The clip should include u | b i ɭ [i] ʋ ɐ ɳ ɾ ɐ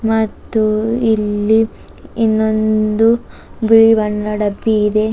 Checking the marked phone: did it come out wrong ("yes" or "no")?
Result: no